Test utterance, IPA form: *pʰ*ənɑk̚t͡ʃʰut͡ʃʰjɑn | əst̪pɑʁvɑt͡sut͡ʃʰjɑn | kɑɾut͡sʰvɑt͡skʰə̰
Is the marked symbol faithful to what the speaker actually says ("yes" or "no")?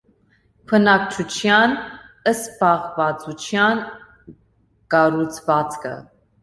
yes